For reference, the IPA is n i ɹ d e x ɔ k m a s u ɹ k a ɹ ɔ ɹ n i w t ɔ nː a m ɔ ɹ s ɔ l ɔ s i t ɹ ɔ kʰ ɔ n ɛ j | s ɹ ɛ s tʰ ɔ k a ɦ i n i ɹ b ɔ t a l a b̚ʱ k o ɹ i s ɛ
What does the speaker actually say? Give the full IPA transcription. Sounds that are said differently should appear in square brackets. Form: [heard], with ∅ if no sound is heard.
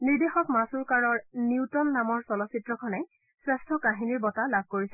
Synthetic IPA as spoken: n i ɹ d e x ɔ k m a s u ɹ k a ɹ ɔ ɹ n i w t ɔ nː a m ɔ ɹ s ɔ l ɔ s i t ɹ ɔ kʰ ɔ n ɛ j | s ɹ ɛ s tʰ ɔ k a ɦ i n i ɹ b ɔ t a l a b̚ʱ k o ɹ i s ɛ